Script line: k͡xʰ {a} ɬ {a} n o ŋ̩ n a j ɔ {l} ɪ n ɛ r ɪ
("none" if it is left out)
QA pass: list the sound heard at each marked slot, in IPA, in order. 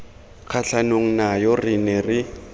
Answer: a, a, r

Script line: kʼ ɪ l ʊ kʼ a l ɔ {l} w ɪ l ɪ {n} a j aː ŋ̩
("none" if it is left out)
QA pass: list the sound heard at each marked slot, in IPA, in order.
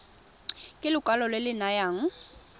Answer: l, n

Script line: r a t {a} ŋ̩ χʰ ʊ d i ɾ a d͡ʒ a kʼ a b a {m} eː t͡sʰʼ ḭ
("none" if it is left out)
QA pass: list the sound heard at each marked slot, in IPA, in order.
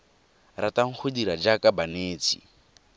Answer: a, n

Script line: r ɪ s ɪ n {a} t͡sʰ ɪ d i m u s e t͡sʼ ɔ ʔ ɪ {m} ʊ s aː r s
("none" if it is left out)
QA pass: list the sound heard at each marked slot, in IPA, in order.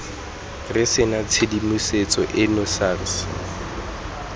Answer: a, n

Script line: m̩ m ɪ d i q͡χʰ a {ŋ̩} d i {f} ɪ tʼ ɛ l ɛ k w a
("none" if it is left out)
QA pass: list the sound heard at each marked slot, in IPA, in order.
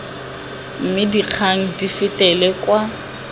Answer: ŋ̩, f

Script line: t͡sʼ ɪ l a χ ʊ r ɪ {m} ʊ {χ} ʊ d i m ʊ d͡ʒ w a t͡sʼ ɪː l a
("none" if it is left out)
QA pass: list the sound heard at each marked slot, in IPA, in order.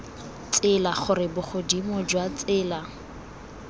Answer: b, χ

